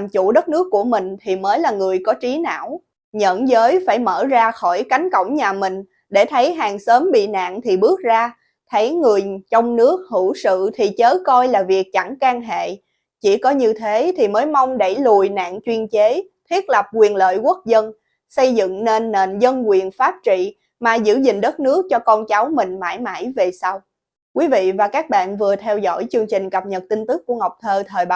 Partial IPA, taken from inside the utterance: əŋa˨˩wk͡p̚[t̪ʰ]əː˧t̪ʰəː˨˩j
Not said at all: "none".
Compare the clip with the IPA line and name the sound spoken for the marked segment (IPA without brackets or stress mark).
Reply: t̪ʰ